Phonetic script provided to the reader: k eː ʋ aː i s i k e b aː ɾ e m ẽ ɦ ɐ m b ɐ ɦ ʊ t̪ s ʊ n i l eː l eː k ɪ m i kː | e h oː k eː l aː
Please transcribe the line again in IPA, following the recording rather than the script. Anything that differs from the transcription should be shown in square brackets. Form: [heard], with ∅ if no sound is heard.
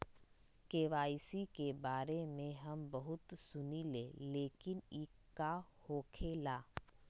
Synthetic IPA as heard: k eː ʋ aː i s i k e b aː ɾ e m ẽ ɦ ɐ m b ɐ ɦ ʊ t̪ s ʊ n i l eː l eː k ɪ [n] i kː | [a] h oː [kʰ] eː l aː

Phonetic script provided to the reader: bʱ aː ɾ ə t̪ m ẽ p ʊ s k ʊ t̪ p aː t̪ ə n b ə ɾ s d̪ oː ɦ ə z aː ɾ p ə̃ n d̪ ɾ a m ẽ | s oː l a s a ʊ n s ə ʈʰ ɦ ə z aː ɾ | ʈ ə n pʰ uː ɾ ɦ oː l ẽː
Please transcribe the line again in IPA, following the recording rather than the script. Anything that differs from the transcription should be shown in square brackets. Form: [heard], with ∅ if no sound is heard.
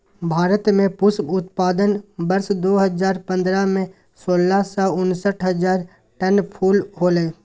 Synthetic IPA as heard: bʱ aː ɾ ə t̪ m ẽ p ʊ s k ʊ t̪ p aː [d̪] ə n b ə ɾ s d̪ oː ɦ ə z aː ɾ p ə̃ n d̪ ɾ a m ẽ | s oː l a s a ʊ n s ə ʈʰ ɦ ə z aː ɾ | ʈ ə n pʰ uː [l] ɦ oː l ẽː

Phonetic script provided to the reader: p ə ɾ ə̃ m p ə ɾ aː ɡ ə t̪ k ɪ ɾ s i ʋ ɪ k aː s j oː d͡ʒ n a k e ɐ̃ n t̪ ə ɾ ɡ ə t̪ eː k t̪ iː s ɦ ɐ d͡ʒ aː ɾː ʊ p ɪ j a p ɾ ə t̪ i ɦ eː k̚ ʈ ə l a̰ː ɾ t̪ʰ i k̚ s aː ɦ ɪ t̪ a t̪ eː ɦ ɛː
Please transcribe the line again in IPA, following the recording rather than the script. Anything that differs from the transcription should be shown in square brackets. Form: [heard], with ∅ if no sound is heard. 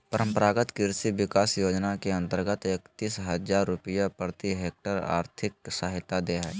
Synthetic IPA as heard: p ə ɾ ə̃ m p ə ɾ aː ɡ ə t̪ k ɪ ɾ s i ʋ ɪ k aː s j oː d͡ʒ n a k e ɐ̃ n t̪ ə ɾ ɡ ə t̪ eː k t̪ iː s ɦ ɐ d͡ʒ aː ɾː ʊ p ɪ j a p ɾ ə t̪ i ɦ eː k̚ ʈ ə [ɾ] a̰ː ɾ t̪ʰ [ɪ] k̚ s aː ɦ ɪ t̪ a [d̪] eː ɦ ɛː

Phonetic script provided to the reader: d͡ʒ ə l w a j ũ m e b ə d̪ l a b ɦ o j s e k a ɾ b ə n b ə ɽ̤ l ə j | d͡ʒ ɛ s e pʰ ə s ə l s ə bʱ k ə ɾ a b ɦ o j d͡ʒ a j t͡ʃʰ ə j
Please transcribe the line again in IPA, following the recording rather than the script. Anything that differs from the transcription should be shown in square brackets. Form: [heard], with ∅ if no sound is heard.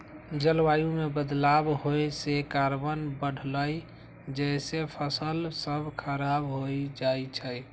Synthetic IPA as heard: d͡ʒ ə l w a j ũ m e b ə d̪ l a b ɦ o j s e k a ɾ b ə n b ə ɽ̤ l ə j | d͡ʒ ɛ s e pʰ ə s ə l s ə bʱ [kʰ] ə ɾ a b ɦ o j d͡ʒ a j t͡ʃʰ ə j

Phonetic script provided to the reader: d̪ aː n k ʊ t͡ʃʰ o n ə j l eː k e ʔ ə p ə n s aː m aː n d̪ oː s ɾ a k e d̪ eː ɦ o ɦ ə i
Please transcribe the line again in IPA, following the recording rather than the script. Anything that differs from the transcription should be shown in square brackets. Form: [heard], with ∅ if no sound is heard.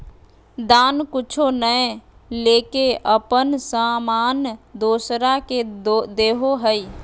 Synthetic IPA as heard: d̪ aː n k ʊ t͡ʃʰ o n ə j l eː k e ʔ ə p ə n s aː m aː n d̪ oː s ɾ a k e d̪ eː ɦ o ɦ ə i

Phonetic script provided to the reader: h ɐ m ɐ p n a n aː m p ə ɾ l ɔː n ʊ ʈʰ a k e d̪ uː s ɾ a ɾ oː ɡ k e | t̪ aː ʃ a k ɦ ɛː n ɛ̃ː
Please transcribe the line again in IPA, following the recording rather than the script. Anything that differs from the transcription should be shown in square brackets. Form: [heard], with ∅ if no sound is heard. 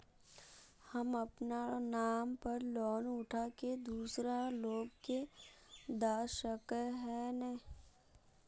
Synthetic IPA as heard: h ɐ m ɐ p n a n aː m p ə ɾ l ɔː n ʊ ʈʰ a k e d̪ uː s ɾ a [l] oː ɡ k e | [d̪] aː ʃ [ə] k ɦ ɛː n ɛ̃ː

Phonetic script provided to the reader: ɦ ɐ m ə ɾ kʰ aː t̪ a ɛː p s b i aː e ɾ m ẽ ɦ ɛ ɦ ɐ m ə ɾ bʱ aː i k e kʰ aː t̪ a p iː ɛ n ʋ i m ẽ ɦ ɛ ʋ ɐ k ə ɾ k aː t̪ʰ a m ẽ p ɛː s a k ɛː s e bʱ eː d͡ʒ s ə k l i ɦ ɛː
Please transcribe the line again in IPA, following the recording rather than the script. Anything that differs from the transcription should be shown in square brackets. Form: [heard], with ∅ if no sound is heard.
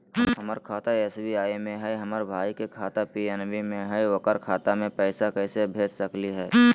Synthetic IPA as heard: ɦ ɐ m ə ɾ kʰ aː t̪ a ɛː [∅] s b i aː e [∅] m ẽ ɦ ɛ ɦ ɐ m ə ɾ bʱ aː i k e kʰ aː t̪ a p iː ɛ n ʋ i m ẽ ɦ ɛ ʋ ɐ k ə ɾ [kʰ] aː [t̪] a m ẽ p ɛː s a k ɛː s e bʱ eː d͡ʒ s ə k l i ɦ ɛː

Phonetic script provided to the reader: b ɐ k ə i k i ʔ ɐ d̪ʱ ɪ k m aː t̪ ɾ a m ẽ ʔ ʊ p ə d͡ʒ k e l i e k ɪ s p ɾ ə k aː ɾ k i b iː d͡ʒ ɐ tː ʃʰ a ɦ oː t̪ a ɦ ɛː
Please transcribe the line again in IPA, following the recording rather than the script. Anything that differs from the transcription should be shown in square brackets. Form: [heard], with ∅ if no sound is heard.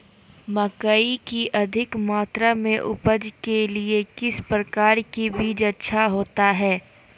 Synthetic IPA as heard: [m] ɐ k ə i k i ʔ ɐ d̪ʱ ɪ k m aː t̪ ɾ a m ẽ ʔ ʊ p ə d͡ʒ k e l i e k ɪ s p ɾ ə k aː ɾ k i b iː d͡ʒ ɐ tː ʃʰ a ɦ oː t̪ a ɦ ɛː

